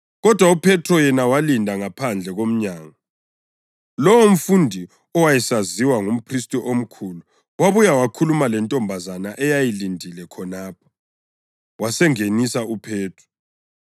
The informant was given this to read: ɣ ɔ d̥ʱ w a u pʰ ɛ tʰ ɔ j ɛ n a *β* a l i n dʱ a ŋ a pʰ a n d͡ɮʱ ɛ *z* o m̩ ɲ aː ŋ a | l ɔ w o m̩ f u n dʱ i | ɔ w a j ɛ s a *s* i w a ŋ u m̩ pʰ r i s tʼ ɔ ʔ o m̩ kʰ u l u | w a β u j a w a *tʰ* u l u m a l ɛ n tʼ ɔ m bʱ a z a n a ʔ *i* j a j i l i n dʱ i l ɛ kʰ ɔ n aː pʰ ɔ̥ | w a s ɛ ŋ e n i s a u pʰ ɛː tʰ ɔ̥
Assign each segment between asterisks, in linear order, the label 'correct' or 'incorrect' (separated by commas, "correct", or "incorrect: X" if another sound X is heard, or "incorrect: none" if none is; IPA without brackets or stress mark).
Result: incorrect: w, incorrect: ɣ, incorrect: z, incorrect: kʰ, incorrect: ɛ